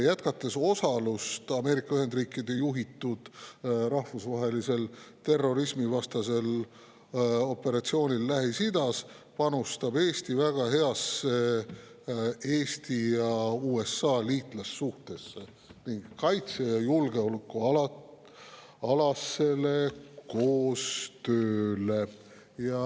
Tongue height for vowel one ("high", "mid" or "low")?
low